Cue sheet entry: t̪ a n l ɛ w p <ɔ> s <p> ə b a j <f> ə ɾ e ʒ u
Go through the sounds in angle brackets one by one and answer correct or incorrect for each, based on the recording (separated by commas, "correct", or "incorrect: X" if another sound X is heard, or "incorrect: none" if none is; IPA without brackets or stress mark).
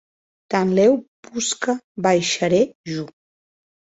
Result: incorrect: u, incorrect: k, incorrect: ʃ